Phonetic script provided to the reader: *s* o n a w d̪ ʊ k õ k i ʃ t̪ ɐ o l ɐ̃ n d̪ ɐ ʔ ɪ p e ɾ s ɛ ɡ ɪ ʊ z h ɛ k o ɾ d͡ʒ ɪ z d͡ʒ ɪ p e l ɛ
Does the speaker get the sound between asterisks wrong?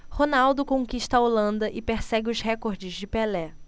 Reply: yes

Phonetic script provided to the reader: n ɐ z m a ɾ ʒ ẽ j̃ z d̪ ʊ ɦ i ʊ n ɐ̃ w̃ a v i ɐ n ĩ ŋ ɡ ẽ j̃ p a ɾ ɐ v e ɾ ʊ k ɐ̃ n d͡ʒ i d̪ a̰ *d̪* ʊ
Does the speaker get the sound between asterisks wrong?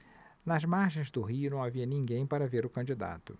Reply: yes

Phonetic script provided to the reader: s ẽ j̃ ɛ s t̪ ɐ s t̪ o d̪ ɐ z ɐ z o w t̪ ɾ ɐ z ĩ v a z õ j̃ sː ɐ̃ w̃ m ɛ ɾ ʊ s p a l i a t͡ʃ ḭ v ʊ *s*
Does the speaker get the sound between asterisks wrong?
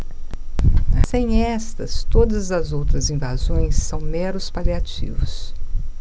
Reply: no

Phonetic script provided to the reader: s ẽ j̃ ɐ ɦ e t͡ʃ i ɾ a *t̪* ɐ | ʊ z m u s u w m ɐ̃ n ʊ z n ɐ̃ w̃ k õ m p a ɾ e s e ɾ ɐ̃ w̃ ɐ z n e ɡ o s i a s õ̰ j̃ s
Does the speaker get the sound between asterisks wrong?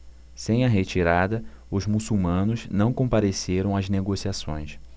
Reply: yes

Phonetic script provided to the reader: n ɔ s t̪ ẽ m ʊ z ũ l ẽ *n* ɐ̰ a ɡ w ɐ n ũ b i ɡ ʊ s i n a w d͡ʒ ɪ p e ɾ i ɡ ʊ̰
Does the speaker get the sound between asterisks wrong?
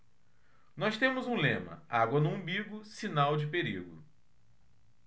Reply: yes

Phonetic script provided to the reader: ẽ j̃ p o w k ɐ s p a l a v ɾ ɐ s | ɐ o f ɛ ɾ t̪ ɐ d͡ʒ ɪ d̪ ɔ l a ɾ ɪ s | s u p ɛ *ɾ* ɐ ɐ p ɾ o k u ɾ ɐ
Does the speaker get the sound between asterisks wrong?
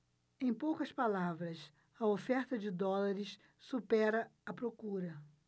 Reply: no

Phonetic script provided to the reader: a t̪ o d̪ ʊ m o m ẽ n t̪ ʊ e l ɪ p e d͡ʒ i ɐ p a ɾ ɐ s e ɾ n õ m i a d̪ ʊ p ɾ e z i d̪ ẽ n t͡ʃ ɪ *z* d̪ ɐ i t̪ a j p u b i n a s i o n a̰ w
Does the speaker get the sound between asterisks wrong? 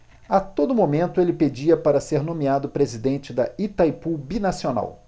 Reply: yes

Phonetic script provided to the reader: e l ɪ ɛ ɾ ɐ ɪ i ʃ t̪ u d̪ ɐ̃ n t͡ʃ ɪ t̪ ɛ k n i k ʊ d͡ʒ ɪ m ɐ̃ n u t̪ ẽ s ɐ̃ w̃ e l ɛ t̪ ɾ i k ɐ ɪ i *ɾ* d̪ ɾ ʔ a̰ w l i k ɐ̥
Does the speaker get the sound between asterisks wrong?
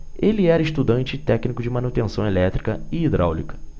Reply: yes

